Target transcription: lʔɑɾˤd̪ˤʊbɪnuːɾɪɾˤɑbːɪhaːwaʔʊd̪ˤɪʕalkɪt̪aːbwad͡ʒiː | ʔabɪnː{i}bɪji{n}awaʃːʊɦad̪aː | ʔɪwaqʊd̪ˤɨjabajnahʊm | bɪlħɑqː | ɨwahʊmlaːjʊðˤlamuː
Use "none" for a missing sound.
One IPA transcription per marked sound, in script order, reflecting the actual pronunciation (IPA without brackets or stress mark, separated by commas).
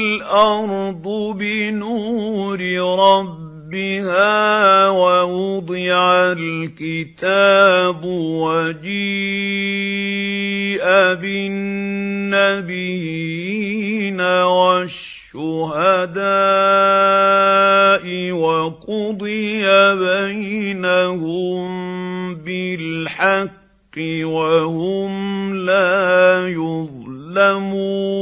a, n